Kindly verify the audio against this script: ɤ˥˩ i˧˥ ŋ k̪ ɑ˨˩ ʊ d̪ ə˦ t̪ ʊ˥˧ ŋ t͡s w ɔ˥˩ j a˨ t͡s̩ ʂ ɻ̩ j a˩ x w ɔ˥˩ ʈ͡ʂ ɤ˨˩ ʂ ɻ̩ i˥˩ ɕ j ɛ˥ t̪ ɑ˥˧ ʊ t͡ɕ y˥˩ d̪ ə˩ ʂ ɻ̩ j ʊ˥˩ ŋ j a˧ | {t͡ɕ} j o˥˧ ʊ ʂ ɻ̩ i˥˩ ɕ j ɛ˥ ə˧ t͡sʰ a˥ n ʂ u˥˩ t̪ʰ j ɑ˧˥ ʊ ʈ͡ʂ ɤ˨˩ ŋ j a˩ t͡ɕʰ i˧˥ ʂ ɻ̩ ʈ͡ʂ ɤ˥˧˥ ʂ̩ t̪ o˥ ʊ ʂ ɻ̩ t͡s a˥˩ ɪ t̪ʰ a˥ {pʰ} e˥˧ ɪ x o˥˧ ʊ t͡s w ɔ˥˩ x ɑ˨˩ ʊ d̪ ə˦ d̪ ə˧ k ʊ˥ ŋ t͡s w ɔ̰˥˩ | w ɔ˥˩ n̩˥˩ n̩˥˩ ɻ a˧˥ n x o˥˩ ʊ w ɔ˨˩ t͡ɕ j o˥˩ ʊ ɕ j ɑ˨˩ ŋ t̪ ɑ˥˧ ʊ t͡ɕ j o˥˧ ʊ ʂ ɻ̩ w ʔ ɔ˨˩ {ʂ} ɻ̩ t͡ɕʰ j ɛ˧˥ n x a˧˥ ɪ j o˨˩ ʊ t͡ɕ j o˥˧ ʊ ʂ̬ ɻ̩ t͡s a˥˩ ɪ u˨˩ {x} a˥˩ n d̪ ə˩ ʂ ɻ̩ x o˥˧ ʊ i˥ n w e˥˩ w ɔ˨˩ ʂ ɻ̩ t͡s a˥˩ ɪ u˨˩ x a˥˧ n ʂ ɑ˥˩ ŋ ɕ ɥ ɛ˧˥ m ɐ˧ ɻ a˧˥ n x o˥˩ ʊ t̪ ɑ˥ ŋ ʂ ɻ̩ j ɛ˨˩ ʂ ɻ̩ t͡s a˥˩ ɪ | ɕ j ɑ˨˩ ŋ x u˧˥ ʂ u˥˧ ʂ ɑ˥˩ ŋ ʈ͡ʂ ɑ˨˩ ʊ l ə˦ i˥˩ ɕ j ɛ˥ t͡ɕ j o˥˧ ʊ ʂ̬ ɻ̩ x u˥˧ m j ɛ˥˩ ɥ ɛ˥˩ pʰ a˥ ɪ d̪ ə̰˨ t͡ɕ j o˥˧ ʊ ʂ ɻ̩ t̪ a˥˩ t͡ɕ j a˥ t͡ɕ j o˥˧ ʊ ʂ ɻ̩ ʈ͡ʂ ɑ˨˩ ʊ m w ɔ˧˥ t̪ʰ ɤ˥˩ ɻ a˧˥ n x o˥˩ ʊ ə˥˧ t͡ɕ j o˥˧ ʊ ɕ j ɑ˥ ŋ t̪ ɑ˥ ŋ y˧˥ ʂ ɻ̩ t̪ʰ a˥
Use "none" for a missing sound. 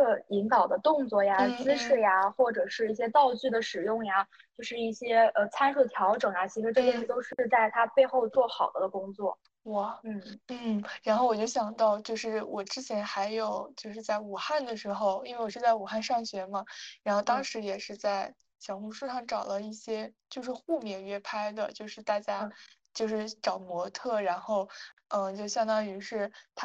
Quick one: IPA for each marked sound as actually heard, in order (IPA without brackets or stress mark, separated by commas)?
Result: t͡ɕ, p, ʈ͡ʂ, x